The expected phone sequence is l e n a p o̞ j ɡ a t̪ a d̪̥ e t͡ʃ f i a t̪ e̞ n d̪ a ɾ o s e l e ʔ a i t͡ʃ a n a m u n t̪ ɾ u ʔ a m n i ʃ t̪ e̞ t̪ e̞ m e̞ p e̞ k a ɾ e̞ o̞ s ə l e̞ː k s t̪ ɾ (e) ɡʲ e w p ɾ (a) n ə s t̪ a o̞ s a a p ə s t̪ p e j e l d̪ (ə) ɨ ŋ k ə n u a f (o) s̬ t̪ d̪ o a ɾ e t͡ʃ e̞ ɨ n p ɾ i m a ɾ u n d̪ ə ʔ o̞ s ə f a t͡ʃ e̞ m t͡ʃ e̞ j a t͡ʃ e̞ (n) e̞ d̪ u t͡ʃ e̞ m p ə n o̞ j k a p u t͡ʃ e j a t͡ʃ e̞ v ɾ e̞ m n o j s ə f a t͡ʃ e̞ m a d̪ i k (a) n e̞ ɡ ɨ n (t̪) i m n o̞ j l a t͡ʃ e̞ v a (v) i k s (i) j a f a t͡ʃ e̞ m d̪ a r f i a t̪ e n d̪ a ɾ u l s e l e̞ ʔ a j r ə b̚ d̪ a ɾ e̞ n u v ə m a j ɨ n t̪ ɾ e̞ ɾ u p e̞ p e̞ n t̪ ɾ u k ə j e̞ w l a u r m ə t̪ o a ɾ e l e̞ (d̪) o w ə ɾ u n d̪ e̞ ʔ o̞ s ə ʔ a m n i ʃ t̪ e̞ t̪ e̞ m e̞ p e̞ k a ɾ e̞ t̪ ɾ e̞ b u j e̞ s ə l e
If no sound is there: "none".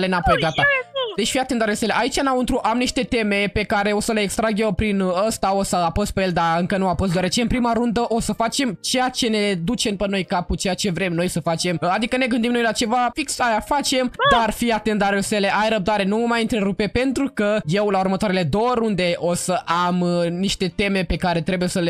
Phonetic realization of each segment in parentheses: a, i, a, o, n, ə, d̪, f, a, d̪

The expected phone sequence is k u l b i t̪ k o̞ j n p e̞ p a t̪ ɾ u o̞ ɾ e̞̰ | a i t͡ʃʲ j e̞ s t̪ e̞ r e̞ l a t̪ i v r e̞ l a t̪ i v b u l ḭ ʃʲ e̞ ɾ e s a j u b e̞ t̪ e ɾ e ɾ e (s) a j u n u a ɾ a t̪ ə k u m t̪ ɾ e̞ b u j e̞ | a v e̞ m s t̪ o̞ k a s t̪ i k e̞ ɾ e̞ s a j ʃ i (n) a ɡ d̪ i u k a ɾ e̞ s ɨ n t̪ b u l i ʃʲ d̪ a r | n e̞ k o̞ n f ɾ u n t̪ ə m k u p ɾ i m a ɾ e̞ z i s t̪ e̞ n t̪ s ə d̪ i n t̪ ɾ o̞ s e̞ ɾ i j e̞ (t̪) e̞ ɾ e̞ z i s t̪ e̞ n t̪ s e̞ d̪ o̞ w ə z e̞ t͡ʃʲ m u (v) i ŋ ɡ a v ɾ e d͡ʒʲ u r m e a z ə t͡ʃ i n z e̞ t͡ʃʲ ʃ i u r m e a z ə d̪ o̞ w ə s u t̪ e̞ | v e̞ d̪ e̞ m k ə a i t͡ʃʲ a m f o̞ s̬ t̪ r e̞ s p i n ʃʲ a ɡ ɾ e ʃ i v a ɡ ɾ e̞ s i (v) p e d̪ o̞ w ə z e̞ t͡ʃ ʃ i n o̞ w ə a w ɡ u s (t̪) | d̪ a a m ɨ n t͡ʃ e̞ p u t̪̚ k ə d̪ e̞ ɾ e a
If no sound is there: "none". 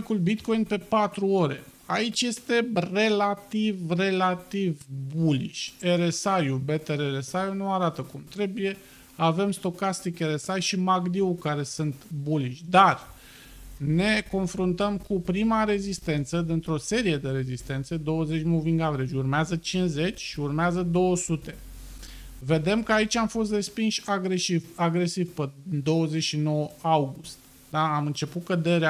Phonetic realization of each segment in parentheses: s, m, d̪, v, v, t̪

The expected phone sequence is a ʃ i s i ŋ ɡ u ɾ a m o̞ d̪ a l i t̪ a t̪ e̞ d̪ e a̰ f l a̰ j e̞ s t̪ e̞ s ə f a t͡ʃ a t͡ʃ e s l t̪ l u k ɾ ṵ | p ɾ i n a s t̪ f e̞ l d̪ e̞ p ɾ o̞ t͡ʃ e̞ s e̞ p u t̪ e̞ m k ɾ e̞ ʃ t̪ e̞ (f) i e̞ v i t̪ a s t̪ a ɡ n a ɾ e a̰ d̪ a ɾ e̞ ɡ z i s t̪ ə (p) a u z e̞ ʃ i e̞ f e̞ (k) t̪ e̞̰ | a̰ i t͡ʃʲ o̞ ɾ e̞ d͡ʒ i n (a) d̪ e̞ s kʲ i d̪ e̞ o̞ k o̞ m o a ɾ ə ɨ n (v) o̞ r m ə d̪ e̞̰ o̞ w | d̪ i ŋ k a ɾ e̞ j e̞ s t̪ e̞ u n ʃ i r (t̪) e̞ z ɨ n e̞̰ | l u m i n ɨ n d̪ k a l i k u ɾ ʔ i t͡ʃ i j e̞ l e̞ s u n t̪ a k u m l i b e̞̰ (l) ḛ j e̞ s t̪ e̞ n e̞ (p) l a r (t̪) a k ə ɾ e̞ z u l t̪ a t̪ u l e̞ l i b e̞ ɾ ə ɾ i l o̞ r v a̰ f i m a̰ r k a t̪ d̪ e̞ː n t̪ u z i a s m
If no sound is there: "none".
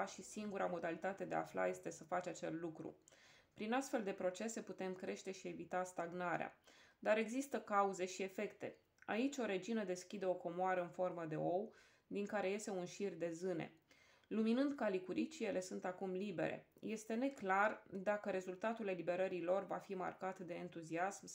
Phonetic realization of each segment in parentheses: ʃ, k, k, ə, f, d̪, ɾ, k, d̪

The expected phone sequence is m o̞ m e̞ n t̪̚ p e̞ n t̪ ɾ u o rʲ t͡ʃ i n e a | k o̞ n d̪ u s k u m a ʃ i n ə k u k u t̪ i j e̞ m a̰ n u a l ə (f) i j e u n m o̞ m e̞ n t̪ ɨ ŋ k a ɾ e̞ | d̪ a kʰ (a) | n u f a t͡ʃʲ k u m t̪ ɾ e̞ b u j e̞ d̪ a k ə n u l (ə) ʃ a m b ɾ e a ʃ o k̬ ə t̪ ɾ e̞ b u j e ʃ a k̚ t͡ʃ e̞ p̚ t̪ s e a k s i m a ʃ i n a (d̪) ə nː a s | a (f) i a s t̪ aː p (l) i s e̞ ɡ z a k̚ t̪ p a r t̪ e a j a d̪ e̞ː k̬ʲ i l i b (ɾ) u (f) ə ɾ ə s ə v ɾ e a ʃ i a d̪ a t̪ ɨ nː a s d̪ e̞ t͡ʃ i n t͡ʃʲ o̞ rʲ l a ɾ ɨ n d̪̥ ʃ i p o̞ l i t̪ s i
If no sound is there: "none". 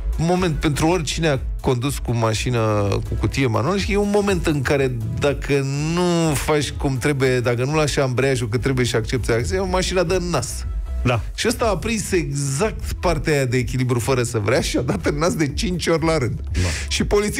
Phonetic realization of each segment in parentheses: ʃ, ə, a, d̪, ʃ, ɾ, ɾ, f

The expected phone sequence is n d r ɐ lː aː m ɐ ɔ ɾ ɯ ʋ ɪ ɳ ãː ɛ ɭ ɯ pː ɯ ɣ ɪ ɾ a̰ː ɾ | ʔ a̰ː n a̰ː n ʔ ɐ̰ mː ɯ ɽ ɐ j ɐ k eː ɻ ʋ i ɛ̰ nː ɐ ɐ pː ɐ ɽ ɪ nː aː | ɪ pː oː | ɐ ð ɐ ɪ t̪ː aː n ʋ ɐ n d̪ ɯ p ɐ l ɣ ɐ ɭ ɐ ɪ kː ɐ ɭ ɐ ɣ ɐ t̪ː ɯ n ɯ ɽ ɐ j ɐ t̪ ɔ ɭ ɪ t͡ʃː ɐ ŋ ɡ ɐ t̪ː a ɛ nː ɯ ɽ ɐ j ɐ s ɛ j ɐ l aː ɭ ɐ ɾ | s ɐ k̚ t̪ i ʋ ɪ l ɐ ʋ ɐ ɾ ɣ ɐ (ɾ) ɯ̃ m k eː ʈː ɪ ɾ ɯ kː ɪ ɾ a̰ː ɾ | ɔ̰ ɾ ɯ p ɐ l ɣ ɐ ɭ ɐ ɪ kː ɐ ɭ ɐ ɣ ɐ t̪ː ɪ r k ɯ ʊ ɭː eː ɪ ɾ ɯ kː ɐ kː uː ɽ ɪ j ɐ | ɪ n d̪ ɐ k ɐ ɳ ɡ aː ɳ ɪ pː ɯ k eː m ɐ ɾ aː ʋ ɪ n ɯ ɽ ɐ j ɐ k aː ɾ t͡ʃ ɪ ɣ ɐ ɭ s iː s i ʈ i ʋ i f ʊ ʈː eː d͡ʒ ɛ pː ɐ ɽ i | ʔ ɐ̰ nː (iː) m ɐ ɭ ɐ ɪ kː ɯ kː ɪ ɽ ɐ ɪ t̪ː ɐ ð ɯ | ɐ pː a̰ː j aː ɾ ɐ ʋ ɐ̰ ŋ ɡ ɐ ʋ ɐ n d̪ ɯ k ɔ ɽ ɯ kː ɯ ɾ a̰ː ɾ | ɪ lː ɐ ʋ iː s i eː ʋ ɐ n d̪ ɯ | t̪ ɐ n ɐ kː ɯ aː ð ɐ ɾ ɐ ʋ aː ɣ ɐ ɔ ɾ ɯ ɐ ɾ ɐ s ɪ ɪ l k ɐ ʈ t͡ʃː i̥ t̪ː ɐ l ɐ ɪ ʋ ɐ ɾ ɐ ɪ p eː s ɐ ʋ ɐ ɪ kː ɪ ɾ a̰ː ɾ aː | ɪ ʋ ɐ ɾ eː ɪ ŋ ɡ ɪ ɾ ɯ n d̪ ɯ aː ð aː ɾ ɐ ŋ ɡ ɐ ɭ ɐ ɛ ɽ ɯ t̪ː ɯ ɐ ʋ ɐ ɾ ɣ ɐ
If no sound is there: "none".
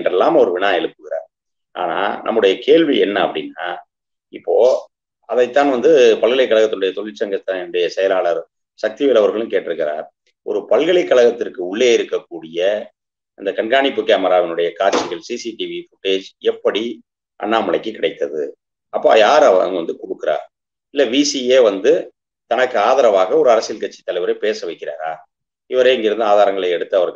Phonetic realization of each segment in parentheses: ɭ, aː

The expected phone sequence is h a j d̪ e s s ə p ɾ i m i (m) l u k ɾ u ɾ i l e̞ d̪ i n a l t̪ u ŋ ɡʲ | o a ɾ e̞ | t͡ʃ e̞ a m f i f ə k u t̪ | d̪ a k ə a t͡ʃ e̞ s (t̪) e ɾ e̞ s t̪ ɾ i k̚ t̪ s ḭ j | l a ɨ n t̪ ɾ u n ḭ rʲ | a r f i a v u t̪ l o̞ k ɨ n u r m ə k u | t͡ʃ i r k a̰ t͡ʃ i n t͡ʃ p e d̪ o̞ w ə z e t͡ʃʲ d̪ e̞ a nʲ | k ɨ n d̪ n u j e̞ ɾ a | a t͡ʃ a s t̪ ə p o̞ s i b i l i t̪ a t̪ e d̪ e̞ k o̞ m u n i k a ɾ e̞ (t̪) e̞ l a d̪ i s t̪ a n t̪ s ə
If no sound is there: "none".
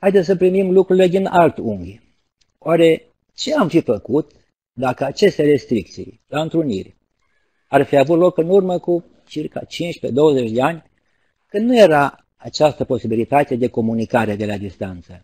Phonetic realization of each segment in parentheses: m, t̪, d̪

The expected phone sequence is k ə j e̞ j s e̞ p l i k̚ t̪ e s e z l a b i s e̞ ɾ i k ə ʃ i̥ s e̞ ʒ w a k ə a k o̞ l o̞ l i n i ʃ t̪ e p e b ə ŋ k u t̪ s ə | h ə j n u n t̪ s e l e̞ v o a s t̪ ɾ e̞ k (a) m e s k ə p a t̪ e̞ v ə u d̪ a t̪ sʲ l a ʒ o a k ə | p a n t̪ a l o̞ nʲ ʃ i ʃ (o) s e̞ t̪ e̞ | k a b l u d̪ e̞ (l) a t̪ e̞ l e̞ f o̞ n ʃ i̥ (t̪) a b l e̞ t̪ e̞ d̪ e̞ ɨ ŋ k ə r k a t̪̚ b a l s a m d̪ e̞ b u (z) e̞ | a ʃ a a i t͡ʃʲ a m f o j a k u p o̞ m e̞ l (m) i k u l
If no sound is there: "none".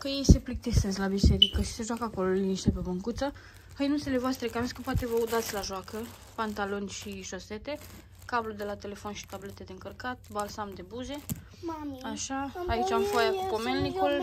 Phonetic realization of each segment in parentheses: a, o, l, t̪, z, n

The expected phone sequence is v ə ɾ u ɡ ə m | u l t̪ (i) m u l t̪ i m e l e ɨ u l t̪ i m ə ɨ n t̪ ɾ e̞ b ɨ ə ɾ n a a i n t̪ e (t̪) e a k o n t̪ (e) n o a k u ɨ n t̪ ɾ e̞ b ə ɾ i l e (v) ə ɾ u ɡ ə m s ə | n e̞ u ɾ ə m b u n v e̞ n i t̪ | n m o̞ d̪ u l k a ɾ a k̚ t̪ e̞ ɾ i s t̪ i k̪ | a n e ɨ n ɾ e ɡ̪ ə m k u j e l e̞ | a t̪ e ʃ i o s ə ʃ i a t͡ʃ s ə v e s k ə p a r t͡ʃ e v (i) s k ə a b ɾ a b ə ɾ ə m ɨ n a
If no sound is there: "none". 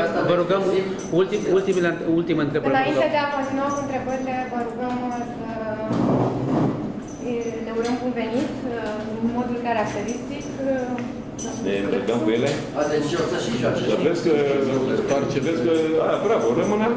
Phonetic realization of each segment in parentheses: i, d̪, i, v, e

